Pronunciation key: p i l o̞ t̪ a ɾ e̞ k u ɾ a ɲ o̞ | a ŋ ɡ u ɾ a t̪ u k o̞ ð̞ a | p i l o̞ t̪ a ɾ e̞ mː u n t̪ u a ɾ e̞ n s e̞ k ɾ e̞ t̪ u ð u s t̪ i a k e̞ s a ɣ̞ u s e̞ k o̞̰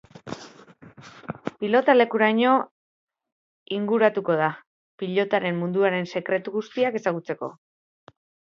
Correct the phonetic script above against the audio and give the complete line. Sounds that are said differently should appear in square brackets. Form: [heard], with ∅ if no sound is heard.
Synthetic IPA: p i l o̞ t̪ a [l] e̞ k u ɾ a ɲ o̞ | [i] ŋ ɡ u ɾ a t̪ u k o̞ ð̞ a | p i [ʎ] o̞ t̪ a ɾ e̞ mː u n [d̪] u a ɾ e̞ n s e̞ k ɾ e̞ t̪ u [ɣ] u s t̪ i a k e̞ s a ɣ̞ u [t͡s] e̞ k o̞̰